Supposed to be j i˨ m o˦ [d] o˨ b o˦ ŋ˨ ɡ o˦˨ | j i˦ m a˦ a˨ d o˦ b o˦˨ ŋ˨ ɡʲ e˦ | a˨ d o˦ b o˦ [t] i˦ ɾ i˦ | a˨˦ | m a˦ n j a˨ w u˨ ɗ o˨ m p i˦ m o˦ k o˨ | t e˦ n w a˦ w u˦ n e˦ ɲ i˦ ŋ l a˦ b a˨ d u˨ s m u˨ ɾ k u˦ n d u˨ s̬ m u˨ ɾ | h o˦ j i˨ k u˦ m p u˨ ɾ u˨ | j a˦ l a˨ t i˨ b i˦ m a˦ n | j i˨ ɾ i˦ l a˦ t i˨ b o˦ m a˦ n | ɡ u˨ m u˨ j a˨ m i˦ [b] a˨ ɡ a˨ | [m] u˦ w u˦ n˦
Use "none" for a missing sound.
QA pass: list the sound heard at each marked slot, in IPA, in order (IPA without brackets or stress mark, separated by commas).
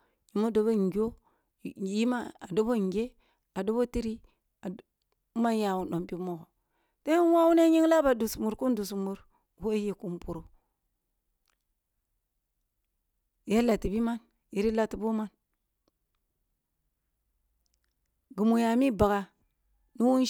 d, t, b, n